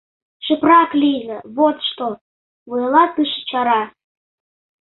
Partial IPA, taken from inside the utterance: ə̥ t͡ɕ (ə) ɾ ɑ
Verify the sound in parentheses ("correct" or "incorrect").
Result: incorrect